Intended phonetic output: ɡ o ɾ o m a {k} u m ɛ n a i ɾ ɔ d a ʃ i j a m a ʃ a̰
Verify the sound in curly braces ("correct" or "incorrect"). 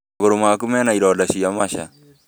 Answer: correct